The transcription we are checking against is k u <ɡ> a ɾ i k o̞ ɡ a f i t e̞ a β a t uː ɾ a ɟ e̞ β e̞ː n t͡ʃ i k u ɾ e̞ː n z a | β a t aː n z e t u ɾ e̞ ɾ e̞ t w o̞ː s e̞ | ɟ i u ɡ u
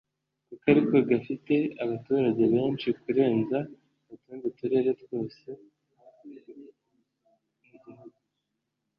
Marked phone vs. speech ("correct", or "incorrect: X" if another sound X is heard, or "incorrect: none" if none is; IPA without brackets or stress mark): incorrect: k